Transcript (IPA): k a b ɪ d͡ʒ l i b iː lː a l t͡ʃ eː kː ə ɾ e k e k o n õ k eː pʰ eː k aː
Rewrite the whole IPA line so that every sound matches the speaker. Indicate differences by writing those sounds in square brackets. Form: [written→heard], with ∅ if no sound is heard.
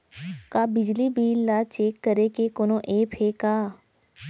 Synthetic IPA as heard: k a b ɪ d͡ʒ l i b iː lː a [l→∅] t͡ʃ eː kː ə ɾ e k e k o n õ [k→ʔ] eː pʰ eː k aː

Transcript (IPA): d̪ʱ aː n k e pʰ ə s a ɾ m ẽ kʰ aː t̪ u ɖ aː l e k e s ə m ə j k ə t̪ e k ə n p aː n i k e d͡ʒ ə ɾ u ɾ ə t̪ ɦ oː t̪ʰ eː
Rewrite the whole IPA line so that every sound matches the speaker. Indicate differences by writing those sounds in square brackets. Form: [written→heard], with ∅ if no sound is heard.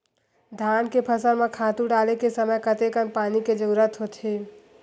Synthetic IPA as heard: d̪ʱ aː n k e pʰ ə s [a→ə] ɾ m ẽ kʰ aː t̪ u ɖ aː l e k e s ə m ə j k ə t̪ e k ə n p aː n i k e d͡ʒ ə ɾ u ɾ ə t̪ ɦ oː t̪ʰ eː

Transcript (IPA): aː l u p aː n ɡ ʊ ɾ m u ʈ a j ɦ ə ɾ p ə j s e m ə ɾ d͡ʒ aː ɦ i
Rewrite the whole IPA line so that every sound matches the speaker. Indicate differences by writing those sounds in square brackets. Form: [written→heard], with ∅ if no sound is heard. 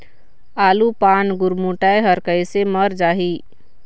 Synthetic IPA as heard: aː l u p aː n ɡ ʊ ɾ m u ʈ a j ɦ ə ɾ [p→k] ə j s e m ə ɾ d͡ʒ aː ɦ i

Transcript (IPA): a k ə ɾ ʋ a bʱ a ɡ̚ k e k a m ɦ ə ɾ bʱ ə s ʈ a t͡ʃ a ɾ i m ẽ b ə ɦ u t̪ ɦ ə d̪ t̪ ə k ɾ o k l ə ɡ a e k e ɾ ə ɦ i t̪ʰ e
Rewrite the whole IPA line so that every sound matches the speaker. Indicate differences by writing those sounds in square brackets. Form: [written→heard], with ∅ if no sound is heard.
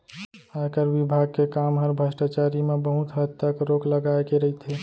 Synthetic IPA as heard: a k ə ɾ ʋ [a→i] bʱ a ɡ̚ k e k a m ɦ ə ɾ bʱ ə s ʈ a t͡ʃ a ɾ i m [ẽ→e] b ə ɦ u t̪ ɦ ə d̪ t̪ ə k ɾ o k l ə ɡ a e k e ɾ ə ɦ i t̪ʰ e

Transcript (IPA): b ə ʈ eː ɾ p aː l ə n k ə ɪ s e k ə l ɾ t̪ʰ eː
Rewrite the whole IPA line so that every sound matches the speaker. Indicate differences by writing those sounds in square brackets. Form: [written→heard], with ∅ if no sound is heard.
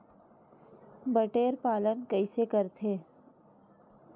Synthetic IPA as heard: b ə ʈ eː ɾ p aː l ə n k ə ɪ s e k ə [l→∅] ɾ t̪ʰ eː

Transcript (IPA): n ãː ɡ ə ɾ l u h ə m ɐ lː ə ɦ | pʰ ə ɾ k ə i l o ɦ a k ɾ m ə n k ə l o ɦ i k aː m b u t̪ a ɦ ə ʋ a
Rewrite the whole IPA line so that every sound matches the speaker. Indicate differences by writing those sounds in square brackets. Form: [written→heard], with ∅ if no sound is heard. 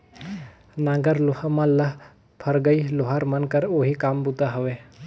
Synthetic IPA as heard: n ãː ɡ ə ɾ l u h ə m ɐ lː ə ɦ | pʰ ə ɾ [k→ɡ] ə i l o ɦ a [k→∅] ɾ m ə n k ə [l→ɾ] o ɦ i k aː m b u t̪ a ɦ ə ʋ [a→e]

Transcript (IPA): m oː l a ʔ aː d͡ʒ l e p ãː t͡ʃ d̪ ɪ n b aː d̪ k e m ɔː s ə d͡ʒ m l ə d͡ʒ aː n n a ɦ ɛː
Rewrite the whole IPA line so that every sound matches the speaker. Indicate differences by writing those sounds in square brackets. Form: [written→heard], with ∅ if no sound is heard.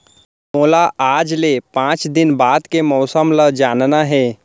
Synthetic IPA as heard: m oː l a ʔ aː d͡ʒ l e p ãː t͡ʃ d̪ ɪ n b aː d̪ k e m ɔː s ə [d͡ʒ→∅] m l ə d͡ʒ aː n n a ɦ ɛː

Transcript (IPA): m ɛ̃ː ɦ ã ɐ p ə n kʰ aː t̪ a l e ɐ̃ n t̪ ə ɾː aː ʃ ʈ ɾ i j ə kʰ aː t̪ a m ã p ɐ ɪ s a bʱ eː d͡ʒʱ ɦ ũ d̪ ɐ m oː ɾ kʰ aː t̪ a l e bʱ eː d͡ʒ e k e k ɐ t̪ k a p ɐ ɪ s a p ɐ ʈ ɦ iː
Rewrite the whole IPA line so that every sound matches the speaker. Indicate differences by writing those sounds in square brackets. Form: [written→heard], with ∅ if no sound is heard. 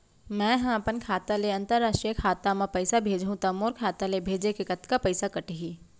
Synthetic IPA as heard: m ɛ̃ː ɦ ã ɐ p ə n kʰ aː t̪ a l e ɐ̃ n t̪ ə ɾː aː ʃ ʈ ɾ i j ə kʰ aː t̪ a m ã p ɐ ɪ s a bʱ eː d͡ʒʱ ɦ ũ [d̪→t̪] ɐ m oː ɾ kʰ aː t̪ a l e bʱ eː d͡ʒ e k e k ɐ t̪ k a p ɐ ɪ s a [p→k] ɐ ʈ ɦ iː

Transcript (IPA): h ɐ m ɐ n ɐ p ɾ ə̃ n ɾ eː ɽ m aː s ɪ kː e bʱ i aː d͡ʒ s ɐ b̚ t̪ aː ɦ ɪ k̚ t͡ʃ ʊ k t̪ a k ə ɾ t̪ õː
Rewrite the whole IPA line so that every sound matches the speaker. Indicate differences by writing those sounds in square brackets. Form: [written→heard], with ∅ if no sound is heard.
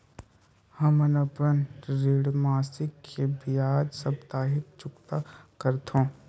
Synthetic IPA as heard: h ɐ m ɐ n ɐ p ɾ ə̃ n ɾ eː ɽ m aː s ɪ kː e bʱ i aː d͡ʒ s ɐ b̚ t̪ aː ɦ ɪ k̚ t͡ʃ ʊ k t̪ a k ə ɾ t̪ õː

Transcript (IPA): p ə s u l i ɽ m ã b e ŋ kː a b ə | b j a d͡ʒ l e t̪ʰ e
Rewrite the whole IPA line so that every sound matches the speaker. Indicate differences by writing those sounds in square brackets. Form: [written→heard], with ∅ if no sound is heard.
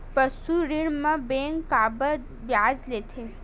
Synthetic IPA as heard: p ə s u [l→ɾ] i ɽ m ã b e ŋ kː a b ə | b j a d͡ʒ l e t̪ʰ e

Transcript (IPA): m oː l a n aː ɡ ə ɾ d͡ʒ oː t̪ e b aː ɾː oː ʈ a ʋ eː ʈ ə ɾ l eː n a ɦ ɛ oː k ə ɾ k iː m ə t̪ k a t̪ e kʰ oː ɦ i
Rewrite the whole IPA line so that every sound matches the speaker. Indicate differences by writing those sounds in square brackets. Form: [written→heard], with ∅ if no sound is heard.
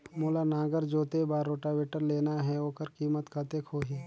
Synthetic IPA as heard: m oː l a n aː ɡ ə ɾ d͡ʒ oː t̪ e b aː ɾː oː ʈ a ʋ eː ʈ ə ɾ l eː n a ɦ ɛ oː k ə ɾ k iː m ə t̪ k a t̪ e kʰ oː ɦ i

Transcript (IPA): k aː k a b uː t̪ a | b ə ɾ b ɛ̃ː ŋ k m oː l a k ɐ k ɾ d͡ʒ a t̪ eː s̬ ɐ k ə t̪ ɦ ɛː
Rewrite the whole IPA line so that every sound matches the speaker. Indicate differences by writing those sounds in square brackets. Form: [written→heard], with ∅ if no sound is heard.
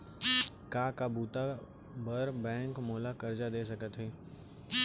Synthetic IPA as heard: k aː k a b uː t̪ a | b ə ɾ b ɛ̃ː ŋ k m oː l a k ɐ [k→∅] ɾ d͡ʒ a [t̪→d̪] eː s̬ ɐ k ə t̪ ɦ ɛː

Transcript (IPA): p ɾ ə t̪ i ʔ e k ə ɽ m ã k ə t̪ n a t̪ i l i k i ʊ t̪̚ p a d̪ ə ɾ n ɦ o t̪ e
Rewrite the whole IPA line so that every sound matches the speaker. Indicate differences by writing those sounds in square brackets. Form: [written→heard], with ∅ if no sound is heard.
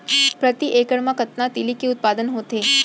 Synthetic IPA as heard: p ɾ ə t̪ i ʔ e k ə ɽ m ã k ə t̪ n a t̪ i l i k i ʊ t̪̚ p a d̪ ə [ɾ→∅] n ɦ o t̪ e

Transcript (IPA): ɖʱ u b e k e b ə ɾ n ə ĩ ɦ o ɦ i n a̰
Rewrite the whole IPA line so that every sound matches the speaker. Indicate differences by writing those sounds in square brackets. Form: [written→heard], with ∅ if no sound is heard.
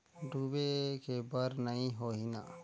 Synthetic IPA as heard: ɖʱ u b e k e b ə ɾ n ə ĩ ɦ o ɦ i n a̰

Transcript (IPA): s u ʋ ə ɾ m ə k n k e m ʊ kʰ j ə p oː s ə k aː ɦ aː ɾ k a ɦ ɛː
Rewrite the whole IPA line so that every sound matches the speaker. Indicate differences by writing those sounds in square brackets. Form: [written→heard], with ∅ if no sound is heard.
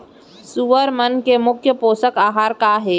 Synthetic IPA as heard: s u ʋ ə ɾ m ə [k→∅] n k e m ʊ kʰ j ə p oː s ə k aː ɦ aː ɾ k a ɦ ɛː

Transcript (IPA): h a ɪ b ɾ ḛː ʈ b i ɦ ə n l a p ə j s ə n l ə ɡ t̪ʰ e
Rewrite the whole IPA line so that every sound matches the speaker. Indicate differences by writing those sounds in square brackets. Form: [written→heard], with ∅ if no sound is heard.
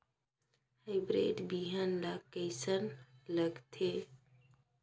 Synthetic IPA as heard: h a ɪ b ɾ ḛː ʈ b i ɦ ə n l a [p→k] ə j s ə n l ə ɡ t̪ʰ e

